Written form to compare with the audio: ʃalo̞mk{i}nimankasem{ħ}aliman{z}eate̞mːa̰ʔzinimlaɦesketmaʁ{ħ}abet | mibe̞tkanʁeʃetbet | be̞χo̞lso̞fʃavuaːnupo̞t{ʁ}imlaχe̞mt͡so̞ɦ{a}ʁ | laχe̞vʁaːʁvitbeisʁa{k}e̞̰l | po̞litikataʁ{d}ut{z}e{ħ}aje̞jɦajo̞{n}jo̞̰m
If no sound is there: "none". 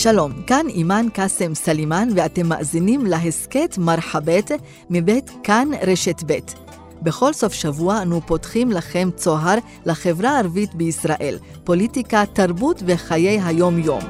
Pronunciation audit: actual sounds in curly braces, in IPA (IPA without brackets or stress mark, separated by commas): a, s, v, ħ, χ, a, ʔ, b, v, χ, m